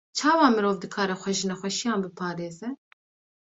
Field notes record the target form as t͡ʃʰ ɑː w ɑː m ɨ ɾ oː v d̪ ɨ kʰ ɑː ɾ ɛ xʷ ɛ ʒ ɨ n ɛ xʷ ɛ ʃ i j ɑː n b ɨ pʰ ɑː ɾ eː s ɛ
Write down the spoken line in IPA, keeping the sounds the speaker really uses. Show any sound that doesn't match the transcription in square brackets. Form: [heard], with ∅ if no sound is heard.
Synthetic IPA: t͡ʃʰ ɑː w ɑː m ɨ ɾ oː v d̪ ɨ kʰ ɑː ɾ ɛ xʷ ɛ ʒ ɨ n ɛ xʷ ɛ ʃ i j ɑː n b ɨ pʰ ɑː ɾ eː [z] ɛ